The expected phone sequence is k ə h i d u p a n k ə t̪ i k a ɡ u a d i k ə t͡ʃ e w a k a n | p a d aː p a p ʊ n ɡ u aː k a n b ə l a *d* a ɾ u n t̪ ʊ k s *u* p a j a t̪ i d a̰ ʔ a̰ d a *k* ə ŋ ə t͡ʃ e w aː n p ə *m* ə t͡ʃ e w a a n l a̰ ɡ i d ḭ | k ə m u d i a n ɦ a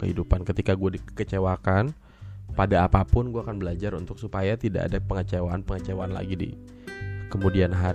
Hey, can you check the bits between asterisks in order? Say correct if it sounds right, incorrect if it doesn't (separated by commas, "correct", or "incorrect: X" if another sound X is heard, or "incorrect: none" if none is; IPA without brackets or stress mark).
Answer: incorrect: d͡ʒ, correct, incorrect: p, incorrect: ŋ